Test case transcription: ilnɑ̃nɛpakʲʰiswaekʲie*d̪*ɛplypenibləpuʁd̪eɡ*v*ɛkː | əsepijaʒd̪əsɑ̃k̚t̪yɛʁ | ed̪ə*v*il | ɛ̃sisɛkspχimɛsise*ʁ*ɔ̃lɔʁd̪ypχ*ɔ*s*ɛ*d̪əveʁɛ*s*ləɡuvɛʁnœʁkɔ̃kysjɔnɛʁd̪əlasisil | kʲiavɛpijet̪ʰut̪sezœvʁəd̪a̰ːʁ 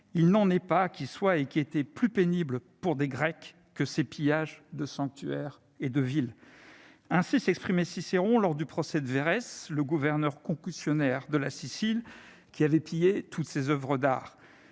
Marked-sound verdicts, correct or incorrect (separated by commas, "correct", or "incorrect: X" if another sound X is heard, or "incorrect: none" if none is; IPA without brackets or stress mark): incorrect: t̪, incorrect: ʁ, correct, correct, correct, correct, correct